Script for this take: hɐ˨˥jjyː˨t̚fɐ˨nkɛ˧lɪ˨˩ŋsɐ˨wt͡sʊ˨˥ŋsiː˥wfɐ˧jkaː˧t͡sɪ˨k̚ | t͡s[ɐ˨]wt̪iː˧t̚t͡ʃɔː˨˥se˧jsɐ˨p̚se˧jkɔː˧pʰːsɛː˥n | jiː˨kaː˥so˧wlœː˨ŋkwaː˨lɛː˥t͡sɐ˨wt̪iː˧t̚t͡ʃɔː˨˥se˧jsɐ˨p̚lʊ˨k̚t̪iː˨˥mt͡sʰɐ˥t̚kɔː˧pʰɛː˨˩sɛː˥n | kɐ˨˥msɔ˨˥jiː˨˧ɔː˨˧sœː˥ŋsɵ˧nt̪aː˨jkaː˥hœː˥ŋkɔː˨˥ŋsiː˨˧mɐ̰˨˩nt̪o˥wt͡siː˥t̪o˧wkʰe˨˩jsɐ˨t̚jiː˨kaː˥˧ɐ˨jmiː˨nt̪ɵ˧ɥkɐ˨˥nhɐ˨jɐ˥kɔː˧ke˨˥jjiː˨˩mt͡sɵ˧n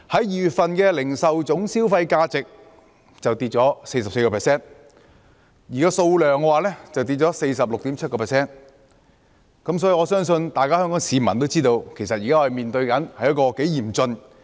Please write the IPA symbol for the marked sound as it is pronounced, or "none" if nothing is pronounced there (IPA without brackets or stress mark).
ɐ˨